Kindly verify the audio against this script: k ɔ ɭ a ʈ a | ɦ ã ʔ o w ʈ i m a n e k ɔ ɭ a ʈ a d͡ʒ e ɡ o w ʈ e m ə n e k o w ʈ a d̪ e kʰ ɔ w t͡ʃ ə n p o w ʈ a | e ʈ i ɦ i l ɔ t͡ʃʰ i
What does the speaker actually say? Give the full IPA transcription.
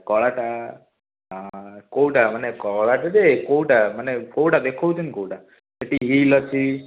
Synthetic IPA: k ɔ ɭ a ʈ a | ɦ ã k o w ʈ a m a n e k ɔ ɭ a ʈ a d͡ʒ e k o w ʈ a m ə n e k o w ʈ a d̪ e kʰ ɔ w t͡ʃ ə n k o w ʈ a | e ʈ i ɦ i l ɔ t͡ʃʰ i